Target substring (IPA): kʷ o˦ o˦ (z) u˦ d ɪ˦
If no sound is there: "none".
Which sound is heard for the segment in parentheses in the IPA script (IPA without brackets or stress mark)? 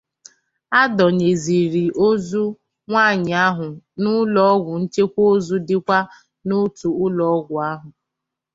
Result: z